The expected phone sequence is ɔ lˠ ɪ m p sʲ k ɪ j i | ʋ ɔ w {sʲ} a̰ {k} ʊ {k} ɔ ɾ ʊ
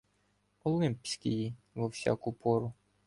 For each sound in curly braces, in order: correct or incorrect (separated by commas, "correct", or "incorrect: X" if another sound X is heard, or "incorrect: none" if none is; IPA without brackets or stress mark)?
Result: correct, correct, incorrect: p